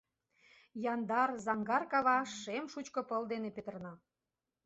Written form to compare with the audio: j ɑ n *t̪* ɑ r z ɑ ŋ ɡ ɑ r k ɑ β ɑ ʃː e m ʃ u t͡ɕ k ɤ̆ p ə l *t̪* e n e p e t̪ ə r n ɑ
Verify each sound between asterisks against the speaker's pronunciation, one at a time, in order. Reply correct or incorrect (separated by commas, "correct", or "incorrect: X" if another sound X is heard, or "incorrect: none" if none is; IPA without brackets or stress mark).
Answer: incorrect: d̪, incorrect: d̪